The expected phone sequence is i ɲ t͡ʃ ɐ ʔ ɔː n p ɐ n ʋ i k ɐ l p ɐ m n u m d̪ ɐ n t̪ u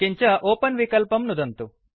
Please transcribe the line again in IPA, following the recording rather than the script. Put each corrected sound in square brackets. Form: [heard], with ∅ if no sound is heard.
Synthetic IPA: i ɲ t͡ʃ ɐ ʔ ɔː [∅] p ɐ n ʋ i k ɐ l p ɐ m n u [∅] d̪ ɐ n t̪ u